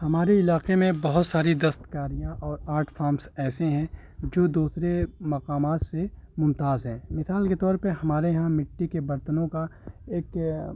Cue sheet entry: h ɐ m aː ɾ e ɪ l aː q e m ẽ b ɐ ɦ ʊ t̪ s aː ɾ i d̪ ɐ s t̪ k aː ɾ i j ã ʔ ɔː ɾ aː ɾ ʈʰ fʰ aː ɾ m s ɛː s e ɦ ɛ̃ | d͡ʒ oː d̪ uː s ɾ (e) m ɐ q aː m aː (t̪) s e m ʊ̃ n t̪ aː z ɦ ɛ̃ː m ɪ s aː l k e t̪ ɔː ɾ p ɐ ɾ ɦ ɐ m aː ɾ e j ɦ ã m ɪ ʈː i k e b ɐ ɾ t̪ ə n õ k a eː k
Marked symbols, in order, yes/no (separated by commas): yes, yes